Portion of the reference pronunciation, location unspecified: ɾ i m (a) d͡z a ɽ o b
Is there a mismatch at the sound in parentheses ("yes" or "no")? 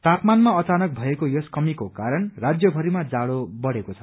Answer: no